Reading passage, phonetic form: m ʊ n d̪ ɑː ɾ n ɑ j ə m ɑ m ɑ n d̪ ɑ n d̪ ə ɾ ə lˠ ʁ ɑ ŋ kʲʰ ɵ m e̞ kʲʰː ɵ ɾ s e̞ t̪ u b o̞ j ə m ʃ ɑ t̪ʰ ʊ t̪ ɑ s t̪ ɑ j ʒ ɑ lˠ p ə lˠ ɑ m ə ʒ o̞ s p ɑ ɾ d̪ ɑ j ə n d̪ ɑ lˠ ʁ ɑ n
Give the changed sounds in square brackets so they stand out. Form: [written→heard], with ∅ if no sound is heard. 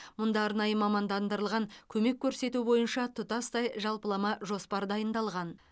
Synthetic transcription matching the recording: m ʊ n d̪ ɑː ɾ n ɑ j ə m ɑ m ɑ n d̪ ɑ n d̪ ə ɾ ə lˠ ʁ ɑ ŋ kʲʰ ɵ m e̞ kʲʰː ɵ ɾ s e̞ t̪ u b o̞ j ə [m→n] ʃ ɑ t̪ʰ ʊ t̪ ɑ s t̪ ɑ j ʒ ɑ lˠ p ə lˠ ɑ m [ə→ɑ] ʒ o̞ s p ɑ ɾ d̪ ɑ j ə n d̪ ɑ lˠ ʁ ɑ n